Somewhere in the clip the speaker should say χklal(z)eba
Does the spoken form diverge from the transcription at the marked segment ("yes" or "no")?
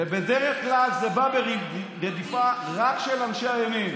no